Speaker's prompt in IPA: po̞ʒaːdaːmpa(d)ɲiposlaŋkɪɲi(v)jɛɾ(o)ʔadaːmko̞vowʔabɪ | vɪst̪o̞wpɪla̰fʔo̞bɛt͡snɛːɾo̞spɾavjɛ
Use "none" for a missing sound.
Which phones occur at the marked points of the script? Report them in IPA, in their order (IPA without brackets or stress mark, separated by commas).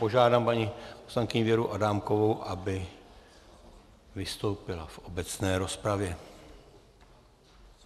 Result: none, v, u